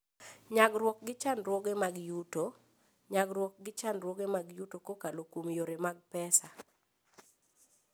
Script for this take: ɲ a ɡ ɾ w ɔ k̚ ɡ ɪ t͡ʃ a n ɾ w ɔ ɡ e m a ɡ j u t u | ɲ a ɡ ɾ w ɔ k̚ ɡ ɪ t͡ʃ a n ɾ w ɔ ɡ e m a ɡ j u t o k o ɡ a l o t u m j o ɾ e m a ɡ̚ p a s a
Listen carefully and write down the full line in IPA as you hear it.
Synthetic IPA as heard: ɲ a ɡ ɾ w ɔ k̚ ɡ ɪ t͡ʃ a n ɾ w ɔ ɡ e m a ɡ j u t o | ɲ a ɡ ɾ w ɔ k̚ ɡ ɪ t͡ʃ a n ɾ w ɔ ɡ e m a ɡ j u t o k o k a l o k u m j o ɾ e m a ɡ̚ p ɛ s a